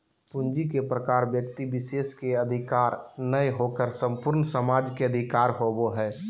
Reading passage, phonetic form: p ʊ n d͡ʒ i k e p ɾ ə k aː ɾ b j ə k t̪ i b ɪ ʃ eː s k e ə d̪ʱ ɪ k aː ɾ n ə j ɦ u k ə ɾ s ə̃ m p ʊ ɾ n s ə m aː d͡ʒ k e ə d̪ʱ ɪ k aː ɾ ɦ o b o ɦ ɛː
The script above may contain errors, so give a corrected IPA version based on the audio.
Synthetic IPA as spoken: p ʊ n d͡ʒ i k e p ɾ ə k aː ɾ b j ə k t̪ i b ɪ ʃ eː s k e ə d̪ʱ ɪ k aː ɾ n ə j ɦ o k ə ɾ s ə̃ m p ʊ ɾ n s ə m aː d͡ʒ k e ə d̪ʱ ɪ k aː ɾ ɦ o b o ɦ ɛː

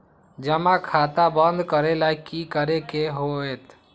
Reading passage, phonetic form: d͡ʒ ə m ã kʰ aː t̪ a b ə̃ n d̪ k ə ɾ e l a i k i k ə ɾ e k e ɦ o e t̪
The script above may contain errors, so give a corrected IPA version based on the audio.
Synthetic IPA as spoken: d͡ʒ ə m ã kʰ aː t̪ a b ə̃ n d̪ k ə ɾ e l a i k i k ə ɾ e k e ɦ o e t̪

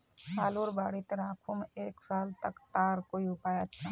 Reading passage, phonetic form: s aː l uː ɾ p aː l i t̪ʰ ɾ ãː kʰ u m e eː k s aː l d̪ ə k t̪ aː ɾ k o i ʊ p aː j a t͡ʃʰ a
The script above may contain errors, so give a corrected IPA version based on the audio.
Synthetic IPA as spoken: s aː l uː ɾ b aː ɽ i t̪ ɾ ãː kʰ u m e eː k s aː l t̪ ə k t̪ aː ɾ k o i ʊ p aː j a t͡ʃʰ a

